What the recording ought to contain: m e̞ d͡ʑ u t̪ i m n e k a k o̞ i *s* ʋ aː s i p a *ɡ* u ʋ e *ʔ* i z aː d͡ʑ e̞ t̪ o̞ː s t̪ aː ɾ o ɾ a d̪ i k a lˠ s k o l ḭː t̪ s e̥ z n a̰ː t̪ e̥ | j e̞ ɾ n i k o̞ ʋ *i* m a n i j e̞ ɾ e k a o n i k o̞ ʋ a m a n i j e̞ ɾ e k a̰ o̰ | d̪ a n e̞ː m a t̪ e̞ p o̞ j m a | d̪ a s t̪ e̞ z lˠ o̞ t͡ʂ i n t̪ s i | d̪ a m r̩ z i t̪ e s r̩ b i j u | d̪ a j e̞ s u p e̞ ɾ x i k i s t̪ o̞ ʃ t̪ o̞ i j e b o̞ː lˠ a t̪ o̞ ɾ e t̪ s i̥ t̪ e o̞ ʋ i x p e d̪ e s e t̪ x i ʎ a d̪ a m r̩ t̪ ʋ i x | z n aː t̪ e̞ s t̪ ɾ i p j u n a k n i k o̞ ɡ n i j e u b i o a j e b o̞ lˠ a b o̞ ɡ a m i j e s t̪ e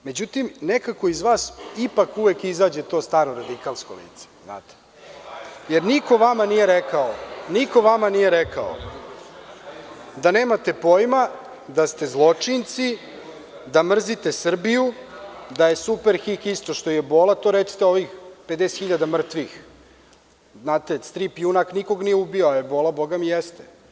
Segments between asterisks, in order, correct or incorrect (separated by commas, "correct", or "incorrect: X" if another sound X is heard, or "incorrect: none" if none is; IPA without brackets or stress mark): incorrect: z, incorrect: k, incorrect: k, incorrect: a